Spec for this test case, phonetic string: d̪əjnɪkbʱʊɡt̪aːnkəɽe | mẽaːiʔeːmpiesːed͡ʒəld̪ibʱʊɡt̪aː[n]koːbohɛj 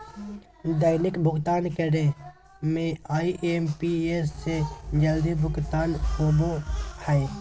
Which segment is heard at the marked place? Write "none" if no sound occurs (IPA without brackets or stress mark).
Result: n